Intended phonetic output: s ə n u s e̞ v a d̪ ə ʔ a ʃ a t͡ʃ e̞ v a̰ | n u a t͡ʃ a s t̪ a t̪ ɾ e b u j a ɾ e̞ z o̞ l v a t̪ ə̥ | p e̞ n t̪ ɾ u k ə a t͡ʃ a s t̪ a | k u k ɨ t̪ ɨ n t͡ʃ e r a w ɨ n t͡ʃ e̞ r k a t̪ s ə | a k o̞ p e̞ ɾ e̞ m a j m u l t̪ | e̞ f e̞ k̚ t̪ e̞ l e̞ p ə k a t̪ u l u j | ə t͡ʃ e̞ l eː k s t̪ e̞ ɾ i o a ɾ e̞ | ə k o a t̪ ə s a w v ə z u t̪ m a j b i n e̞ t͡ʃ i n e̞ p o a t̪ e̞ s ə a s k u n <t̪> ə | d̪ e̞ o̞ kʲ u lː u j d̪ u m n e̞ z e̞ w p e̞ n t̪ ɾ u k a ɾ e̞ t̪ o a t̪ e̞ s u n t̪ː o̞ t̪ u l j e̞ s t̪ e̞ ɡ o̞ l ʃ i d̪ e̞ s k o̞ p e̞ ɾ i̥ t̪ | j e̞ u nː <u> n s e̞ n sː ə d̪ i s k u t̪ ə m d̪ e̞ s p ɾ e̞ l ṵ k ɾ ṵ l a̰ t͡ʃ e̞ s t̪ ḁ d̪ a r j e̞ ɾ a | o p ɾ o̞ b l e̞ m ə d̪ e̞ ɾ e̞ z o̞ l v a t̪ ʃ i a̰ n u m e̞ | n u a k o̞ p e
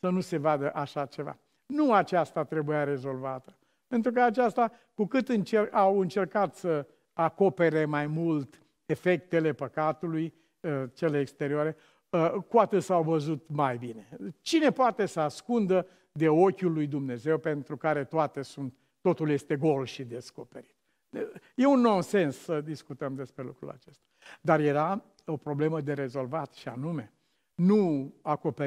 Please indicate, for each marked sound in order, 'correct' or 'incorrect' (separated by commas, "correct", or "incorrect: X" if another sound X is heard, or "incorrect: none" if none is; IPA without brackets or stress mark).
incorrect: d̪, incorrect: o